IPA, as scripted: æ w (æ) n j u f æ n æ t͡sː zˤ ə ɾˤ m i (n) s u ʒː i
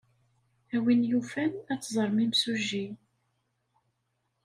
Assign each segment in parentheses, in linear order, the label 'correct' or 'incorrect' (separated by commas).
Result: incorrect, incorrect